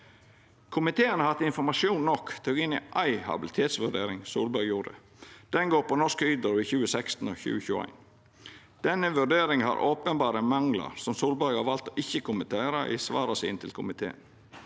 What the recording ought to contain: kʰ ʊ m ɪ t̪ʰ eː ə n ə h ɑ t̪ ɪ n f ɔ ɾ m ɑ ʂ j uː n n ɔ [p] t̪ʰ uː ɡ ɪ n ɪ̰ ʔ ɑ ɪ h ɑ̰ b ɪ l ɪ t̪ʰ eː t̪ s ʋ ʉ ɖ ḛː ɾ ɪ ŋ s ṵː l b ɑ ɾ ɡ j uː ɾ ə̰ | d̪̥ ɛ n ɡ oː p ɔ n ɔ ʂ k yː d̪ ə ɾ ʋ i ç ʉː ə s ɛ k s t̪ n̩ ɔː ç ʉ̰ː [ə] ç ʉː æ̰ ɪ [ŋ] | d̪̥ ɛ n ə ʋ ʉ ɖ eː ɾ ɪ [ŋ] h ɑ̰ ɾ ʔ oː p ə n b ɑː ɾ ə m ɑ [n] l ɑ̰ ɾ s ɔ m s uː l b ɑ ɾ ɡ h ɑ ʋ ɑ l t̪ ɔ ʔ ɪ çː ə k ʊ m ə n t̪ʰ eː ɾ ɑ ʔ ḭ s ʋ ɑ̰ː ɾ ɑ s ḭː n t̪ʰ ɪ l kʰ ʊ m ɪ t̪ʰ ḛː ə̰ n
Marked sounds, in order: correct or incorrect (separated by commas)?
incorrect, correct, incorrect, correct, incorrect